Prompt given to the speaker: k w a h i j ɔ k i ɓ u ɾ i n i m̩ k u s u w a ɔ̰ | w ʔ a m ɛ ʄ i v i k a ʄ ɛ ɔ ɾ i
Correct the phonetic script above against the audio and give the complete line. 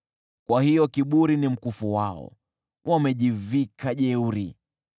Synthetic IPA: k w a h i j ɔ k i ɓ u ɾ i n i m̩ k u f u w a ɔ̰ | w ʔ a m ɛ ʄ i v i k a ʄ ɛ u ɾ i